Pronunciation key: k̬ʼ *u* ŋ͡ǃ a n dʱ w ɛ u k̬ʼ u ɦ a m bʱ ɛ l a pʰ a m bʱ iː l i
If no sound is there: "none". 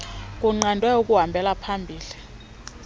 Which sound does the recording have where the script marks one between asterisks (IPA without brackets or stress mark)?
u